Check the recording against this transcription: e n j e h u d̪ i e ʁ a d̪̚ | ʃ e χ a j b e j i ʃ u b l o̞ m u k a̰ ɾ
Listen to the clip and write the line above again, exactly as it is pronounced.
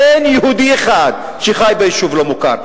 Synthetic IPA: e n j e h u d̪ i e χ a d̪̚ | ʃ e χ a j b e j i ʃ u v l o̞ m u k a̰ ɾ